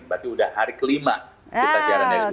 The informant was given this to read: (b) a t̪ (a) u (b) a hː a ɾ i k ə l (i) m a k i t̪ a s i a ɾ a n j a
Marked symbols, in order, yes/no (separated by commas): yes, no, no, yes